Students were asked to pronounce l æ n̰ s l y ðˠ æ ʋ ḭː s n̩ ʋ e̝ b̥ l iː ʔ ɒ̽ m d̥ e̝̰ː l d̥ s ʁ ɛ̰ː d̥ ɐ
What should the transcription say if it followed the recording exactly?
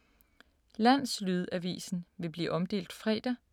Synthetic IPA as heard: l æ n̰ s l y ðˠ æ ʋ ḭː s n̩ ʋ e̝ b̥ l iː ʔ ɒ̽ m d̥ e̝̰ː l d̥ f ʁ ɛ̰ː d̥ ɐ